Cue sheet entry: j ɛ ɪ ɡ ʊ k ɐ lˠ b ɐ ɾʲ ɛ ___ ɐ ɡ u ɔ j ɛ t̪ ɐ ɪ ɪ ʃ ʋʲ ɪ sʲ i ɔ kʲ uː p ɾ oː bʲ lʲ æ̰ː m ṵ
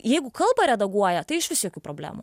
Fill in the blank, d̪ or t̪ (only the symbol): d̪